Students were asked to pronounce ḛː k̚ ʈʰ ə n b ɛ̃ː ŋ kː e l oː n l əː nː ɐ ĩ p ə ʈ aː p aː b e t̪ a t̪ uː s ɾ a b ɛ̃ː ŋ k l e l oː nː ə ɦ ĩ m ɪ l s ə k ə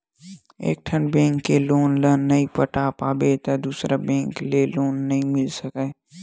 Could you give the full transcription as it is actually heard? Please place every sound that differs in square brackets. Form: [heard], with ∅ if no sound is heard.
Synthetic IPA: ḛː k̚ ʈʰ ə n b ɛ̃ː ŋ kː e l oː n l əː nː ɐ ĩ p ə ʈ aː p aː b e t̪ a [d̪] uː s ɾ a b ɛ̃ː ŋ k l e l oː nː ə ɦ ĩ m ɪ l s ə k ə